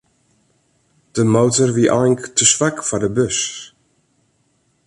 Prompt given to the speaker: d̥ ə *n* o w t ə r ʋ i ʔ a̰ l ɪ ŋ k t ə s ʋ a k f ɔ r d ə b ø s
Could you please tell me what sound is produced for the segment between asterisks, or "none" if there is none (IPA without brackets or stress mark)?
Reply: m